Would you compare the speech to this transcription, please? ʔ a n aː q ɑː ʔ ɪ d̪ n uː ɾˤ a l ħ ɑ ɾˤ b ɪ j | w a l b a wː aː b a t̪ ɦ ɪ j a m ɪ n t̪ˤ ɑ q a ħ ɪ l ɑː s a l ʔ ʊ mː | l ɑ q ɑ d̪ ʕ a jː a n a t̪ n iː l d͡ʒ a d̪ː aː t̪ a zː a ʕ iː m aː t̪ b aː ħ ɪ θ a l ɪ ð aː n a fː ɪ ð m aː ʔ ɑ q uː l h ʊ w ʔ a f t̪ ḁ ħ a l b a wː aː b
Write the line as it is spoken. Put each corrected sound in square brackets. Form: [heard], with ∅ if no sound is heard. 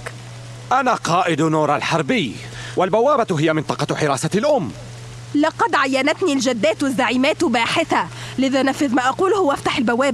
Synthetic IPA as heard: ʔ a n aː q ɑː ʔ ɪ d̪ n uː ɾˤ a l ħ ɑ ɾˤ b ɪ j | w a l b a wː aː b a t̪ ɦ ɪ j a m ɪ n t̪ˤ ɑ q [ɑ] ħ ɪ [ɾ] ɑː s a l ʔ ʊ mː | l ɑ q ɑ d̪ ʕ a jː a n a t̪ n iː l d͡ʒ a d̪ː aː t̪ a zː a ʕ iː m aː t̪ b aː ħ ɪ θ a l ɪ ð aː n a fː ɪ ð m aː ʔ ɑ q uː l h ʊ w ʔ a f t̪ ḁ ħ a l b a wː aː b

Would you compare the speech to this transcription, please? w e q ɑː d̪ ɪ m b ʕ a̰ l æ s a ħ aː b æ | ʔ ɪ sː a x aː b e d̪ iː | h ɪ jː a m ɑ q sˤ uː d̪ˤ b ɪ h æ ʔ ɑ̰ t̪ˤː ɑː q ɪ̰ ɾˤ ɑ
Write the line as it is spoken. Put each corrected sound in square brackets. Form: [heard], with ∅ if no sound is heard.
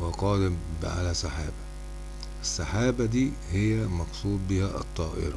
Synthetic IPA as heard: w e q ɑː d̪ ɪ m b ʕ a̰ l æ s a ħ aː b æ | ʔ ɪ sː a [ħ] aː b [æ] d̪ iː | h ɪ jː [æ] m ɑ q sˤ uː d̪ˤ b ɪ h æ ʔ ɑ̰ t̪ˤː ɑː [ʔ] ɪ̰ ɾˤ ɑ

